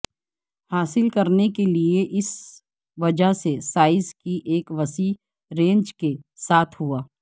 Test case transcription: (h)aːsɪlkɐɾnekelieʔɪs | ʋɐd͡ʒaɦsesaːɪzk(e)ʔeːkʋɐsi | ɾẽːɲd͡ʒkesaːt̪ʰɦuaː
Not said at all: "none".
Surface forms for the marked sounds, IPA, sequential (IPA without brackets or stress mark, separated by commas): h, i